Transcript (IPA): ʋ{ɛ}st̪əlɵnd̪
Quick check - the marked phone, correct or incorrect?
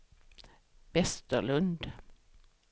correct